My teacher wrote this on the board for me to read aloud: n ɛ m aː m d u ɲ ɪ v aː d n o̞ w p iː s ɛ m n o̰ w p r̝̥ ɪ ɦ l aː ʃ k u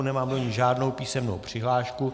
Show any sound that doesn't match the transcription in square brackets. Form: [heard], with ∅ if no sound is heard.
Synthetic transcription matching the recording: n ɛ m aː m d [o] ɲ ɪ [ʒ] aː d n o̞ w p iː s ɛ m n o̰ w p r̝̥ ɪ ɦ l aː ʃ k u